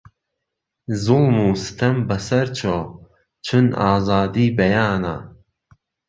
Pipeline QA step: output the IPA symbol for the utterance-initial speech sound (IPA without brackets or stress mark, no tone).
z